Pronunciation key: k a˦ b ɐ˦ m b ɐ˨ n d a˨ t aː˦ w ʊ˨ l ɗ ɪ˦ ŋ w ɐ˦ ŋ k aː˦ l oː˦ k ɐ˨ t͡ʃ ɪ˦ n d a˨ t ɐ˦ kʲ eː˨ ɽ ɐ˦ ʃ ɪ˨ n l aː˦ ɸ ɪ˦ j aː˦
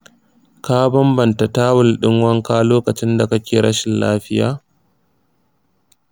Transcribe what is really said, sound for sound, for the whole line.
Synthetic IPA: k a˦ b ɐ˦ m b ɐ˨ n t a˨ t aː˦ w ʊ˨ l ɗ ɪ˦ ŋ w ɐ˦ ŋ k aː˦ l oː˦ k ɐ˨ t͡ʃ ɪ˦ n d a˨ k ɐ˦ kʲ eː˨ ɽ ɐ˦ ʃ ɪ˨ n l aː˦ ɸ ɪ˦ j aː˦